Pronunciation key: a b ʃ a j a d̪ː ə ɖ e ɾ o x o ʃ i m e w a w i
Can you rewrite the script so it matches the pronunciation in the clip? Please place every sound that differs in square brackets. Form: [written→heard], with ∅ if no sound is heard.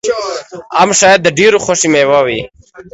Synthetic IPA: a [b→m] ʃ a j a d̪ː ə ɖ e ɾ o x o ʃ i m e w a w i